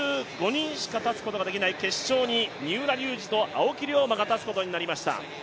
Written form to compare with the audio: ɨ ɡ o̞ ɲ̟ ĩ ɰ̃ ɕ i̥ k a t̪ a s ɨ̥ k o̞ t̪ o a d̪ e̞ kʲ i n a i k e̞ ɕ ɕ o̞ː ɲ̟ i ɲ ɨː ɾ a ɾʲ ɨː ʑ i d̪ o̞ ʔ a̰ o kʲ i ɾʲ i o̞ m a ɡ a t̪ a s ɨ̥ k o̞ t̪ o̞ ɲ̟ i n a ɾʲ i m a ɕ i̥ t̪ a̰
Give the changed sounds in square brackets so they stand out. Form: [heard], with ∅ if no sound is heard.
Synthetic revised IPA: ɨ ɡ o̞ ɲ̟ ĩ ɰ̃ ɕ i̥ k a t̪ a [t͡s] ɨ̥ k o̞ t̪ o a d̪ e̞ kʲ i n a i k e̞ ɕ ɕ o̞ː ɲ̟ i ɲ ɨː ɾ a ɾʲ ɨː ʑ i [t̪] o̞ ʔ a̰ o kʲ i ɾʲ i o̞ m a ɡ a t̪ a [t͡s] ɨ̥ k o̞ t̪ o̞ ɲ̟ i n a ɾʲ i m a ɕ i̥ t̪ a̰